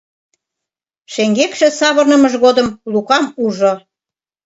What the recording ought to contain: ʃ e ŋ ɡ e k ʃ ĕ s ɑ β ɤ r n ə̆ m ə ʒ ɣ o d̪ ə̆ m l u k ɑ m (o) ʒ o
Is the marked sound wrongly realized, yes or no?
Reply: yes